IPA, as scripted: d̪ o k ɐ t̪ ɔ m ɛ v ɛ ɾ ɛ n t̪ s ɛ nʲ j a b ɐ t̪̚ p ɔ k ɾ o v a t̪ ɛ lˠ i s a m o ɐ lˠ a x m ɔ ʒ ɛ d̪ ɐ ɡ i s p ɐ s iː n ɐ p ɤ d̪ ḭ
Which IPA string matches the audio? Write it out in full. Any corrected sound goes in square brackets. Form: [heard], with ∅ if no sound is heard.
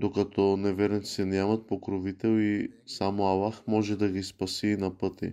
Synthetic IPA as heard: d̪ o k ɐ t̪ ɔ [n] ɛ v ɛ ɾ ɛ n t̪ s ɛ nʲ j a [m] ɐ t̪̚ p [o] k ɾ o v [i] t̪ ɛ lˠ i s a m o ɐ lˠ a x m ɔ ʒ ɛ d̪ ɐ ɡ i s p ɐ s iː n ɐ p ɤ [t̪] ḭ